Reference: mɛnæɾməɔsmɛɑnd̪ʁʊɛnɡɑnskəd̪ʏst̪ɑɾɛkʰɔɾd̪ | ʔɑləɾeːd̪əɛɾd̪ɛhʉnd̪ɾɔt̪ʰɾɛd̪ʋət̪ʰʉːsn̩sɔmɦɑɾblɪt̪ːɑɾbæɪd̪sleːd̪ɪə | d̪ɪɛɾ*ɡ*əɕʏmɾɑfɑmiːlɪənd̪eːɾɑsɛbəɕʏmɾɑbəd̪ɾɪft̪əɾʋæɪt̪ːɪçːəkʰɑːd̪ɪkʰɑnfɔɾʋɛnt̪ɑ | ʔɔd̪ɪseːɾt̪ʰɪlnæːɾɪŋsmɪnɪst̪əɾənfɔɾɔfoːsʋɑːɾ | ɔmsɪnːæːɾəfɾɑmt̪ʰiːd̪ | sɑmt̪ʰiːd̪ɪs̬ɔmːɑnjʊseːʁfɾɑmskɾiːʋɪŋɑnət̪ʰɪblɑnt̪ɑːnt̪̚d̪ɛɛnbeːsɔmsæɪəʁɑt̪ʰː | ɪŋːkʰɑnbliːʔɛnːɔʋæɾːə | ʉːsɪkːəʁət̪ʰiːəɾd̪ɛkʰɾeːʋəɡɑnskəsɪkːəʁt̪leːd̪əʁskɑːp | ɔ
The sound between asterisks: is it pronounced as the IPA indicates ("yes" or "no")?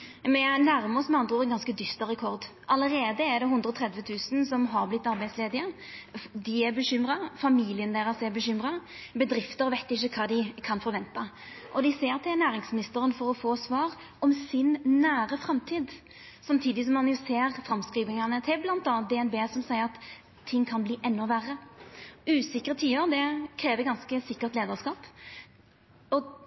no